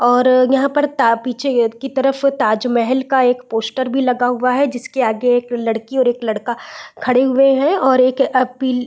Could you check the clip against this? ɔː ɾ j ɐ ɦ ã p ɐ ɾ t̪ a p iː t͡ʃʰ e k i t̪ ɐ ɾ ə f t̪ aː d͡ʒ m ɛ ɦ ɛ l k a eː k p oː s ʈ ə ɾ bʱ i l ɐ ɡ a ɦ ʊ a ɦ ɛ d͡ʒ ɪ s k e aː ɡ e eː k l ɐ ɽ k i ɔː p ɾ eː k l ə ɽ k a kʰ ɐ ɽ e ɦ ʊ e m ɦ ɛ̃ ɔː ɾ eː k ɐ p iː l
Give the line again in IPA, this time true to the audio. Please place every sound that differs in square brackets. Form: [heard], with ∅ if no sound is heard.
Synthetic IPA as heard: ɔː ɾ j ɐ ɦ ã p ɐ ɾ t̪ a p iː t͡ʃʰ e k i t̪ ɐ ɾ ə f t̪ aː d͡ʒ m ɛ ɦ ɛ l k a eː k p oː s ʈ ə ɾ bʱ i l ɐ ɡ a ɦ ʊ a ɦ ɛ d͡ʒ ɪ s k e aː ɡ e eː k l ɐ ɽ k i ɔː [∅] ɾ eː k l [ɐ] ɽ k a kʰ ɐ ɽ e ɦ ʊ e [∅] ɦ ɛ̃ ɔː ɾ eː k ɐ p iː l

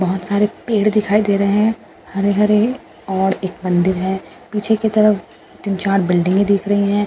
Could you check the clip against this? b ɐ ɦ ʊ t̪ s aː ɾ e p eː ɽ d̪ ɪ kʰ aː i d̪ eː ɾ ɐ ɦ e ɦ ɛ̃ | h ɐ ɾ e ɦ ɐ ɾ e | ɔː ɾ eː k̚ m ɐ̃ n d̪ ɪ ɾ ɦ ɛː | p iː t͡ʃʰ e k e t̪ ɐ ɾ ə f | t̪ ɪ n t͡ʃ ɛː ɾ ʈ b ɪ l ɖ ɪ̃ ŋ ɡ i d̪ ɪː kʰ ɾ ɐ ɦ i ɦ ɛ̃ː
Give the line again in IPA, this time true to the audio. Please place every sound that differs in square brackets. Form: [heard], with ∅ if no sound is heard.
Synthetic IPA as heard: b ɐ ɦ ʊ t̪ s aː ɾ e p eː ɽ d̪ ɪ kʰ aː i d̪ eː ɾ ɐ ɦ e ɦ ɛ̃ | h ɐ ɾ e ɦ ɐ ɾ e | ɔː ɾ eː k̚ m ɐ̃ n d̪ ɪ ɾ ɦ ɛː | p iː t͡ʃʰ e k e t̪ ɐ ɾ ə f | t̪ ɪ n t͡ʃ [aː] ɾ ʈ b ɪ l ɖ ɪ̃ ŋ ɡ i d̪ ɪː kʰ ɾ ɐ ɦ i ɦ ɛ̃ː

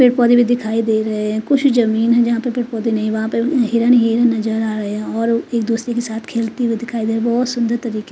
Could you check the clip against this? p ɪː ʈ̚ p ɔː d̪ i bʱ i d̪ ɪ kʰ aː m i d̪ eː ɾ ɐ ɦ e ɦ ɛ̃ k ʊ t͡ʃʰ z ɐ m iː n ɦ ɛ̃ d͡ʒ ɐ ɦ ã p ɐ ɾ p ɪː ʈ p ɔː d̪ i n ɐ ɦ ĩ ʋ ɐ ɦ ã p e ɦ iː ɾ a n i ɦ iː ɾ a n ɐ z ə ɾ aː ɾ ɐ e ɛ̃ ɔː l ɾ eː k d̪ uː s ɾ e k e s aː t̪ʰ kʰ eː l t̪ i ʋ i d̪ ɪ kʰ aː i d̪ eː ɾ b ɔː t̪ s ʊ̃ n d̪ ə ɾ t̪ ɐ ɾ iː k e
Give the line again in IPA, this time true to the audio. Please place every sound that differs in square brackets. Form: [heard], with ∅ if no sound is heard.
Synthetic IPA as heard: p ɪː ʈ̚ p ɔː d̪ i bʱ i d̪ ɪ kʰ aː [∅] i d̪ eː ɾ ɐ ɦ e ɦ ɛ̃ k ʊ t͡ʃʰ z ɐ m iː n ɦ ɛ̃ d͡ʒ ɐ ɦ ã p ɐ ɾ p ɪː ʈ p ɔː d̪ i n ɐ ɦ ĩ ʋ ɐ ɦ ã p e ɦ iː ɾ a n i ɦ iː ɾ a n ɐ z ə ɾ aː ɾ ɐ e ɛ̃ ɔː [∅] ɾ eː k d̪ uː s ɾ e k e s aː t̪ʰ kʰ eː l t̪ i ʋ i d̪ ɪ kʰ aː i d̪ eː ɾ b ɔː t̪ s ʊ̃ n d̪ ə ɾ t̪ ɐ ɾ iː k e

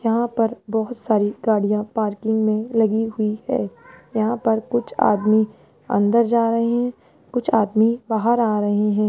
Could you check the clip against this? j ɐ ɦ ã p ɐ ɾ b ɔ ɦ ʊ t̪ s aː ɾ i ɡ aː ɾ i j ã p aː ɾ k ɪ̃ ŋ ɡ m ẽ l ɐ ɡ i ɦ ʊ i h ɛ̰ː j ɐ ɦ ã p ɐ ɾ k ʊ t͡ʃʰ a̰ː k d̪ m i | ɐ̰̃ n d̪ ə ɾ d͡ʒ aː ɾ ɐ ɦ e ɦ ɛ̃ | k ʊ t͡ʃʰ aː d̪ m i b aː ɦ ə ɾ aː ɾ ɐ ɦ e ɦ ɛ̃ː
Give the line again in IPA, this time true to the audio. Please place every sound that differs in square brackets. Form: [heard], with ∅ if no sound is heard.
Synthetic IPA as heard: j ɐ ɦ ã p ɐ ɾ b ɔ ɦ ʊ t̪ s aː ɾ i ɡ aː [ɽ] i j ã p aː ɾ k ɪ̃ ŋ ɡ m ẽ l ɐ ɡ i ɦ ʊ i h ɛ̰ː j ɐ ɦ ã p ɐ ɾ k ʊ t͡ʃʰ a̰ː [∅] d̪ m i | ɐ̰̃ n d̪ ə ɾ d͡ʒ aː ɾ ɐ ɦ e ɦ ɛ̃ | k ʊ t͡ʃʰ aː d̪ m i b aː ɦ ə ɾ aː ɾ ɐ ɦ e ɦ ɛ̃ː

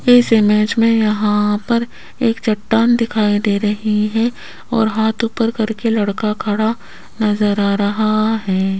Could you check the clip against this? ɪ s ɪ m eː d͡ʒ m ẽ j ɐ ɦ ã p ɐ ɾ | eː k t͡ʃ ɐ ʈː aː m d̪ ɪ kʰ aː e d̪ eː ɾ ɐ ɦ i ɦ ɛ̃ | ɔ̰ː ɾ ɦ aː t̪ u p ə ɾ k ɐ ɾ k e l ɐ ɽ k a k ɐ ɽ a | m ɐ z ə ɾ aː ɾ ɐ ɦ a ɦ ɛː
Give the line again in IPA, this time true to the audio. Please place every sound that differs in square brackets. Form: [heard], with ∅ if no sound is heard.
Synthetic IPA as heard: ɪ s ɪ m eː d͡ʒ m ẽ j ɐ ɦ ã p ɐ ɾ | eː k t͡ʃ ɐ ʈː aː [n] d̪ ɪ kʰ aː [i] d̪ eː ɾ ɐ ɦ i ɦ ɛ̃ | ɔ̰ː ɾ ɦ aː t̪ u p ə ɾ k ɐ ɾ k e l ɐ ɽ k a [kʰ] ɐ ɽ a | [n] ɐ z ə ɾ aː ɾ ɐ ɦ a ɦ ɛː

